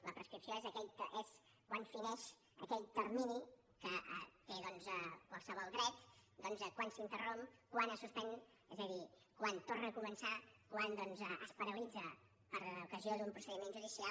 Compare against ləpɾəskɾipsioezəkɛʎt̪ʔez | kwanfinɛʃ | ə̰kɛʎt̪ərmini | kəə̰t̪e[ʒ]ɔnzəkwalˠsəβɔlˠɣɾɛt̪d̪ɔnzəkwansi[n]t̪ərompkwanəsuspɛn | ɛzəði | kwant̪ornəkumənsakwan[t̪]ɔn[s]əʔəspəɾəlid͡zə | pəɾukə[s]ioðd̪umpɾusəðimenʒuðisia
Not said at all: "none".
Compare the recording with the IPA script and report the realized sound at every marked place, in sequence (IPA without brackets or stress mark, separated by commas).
ð, n, d̪, z, z